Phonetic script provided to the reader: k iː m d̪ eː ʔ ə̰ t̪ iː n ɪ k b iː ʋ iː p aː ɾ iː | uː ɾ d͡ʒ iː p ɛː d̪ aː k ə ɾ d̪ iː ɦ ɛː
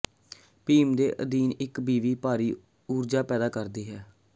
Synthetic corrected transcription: p iː m d̪ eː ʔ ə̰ d̪ iː n ɪ k b iː ʋ iː p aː ɾ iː | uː ɾ d͡ʒ aː p ɛː d̪ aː k ə ɾ d̪ iː ɦ ɛː